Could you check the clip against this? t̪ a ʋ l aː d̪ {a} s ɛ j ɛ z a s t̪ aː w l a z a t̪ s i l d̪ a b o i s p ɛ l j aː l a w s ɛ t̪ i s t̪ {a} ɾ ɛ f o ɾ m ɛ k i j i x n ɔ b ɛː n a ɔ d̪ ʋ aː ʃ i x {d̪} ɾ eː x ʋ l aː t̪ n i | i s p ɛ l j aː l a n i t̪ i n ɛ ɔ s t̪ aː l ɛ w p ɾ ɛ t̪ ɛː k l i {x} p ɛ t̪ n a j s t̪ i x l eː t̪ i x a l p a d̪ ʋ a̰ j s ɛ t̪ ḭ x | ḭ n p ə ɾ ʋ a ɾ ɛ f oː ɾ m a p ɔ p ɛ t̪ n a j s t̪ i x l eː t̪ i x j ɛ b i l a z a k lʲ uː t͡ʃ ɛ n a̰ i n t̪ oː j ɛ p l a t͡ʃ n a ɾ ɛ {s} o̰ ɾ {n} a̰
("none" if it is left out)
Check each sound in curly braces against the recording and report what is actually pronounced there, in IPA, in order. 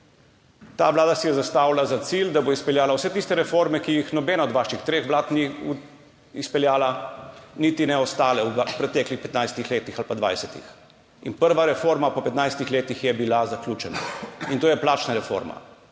a, ɛ, t̪, x, f, m

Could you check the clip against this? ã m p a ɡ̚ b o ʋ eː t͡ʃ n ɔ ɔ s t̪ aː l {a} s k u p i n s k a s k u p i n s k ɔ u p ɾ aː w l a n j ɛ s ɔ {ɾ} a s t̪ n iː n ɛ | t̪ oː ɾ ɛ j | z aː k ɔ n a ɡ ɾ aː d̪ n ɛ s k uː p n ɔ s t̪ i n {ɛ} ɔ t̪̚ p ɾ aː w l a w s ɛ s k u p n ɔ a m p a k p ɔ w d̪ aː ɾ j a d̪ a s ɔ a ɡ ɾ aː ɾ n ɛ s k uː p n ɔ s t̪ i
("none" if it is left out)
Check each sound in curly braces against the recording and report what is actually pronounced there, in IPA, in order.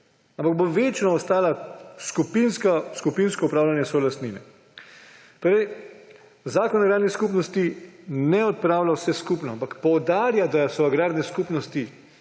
a, l, ɛ

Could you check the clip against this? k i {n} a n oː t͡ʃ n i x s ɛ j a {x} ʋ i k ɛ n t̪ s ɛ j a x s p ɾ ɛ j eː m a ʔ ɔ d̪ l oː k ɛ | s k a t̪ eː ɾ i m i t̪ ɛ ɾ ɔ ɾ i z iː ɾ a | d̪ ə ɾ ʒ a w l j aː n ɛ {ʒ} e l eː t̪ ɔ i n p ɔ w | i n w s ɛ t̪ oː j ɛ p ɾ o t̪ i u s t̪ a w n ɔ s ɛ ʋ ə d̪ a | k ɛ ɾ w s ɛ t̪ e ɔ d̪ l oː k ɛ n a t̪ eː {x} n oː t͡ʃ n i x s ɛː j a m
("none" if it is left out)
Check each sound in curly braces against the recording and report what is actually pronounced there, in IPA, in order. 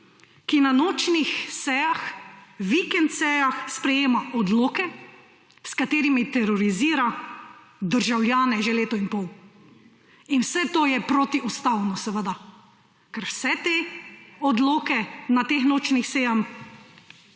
n, x, ʒ, x

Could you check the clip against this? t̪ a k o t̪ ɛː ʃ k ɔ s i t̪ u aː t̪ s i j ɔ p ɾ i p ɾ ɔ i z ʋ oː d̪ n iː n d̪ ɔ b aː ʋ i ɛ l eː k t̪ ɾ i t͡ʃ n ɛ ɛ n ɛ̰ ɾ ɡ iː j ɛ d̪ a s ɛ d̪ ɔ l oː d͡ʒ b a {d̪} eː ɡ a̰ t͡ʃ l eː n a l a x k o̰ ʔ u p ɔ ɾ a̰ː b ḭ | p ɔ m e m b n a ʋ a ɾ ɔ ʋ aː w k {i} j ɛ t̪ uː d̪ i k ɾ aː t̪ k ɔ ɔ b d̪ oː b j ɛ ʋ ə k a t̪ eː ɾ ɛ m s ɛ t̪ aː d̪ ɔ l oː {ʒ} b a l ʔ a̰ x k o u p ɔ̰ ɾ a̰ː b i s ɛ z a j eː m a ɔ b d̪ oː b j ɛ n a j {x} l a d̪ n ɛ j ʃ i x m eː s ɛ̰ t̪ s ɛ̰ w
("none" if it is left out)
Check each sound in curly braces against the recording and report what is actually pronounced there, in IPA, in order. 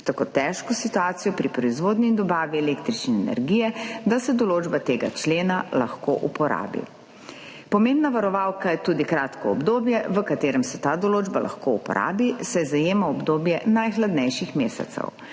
t̪, a, d͡ʒ, x

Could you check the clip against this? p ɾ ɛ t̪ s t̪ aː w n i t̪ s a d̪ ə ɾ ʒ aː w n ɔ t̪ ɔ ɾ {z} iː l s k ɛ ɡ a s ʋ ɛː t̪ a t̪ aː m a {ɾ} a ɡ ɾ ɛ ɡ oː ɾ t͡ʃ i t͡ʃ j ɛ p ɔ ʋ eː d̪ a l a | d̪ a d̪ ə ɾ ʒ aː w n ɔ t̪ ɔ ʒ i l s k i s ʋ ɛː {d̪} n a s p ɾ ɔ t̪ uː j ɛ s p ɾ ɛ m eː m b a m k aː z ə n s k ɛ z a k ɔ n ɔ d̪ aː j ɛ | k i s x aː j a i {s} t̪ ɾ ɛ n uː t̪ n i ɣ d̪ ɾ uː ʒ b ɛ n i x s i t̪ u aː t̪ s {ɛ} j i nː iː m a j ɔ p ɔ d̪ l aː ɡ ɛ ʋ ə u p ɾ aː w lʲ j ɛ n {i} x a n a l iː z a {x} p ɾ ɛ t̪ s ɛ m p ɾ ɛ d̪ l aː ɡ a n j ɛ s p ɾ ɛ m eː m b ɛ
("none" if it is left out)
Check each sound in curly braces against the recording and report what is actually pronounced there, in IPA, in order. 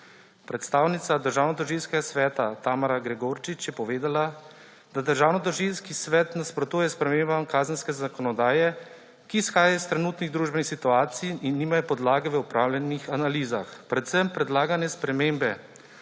ʒ, ɾ, t̪, s, i, i, x

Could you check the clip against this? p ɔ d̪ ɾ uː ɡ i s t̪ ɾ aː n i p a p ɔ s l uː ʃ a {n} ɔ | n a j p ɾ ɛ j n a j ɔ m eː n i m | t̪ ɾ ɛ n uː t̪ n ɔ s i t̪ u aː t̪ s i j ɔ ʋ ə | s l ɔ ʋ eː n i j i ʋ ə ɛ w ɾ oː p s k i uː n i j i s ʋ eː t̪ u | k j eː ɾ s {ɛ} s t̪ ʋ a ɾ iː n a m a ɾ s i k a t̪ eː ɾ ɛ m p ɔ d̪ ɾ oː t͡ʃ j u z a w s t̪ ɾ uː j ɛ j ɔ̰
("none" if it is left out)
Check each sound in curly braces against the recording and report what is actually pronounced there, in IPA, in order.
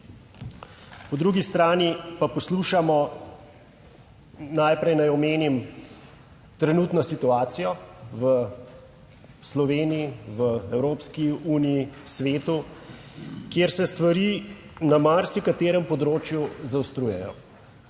m, ɛ

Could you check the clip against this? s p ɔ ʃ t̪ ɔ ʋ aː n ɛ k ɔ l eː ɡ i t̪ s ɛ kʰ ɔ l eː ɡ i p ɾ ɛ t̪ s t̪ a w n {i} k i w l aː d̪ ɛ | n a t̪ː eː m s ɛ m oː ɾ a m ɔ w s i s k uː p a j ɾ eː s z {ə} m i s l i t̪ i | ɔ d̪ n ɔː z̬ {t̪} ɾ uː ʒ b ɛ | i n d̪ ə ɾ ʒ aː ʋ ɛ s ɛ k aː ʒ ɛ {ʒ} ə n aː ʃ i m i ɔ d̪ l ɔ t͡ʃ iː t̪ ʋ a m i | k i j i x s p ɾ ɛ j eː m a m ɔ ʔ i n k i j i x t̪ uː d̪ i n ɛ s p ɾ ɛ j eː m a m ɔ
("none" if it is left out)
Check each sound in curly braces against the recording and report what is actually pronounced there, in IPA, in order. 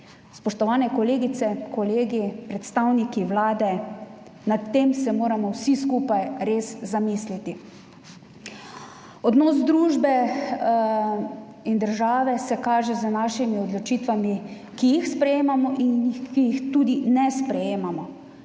i, a, d̪, z

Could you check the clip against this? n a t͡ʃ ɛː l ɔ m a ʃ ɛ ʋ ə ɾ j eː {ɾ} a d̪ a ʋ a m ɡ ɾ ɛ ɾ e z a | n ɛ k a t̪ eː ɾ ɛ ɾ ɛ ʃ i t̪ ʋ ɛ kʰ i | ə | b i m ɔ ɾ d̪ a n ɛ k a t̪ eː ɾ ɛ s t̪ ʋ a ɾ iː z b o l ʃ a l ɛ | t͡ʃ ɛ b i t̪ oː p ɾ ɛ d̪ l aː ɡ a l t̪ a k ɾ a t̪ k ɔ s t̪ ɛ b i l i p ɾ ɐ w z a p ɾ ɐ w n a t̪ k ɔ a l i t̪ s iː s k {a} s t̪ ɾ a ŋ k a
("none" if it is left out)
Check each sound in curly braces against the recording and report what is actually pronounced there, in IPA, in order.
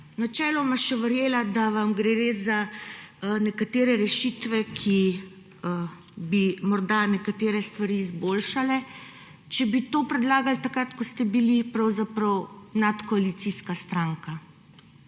l, a

